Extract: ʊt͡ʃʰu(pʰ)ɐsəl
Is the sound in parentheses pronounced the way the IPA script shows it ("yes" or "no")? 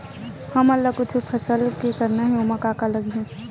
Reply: yes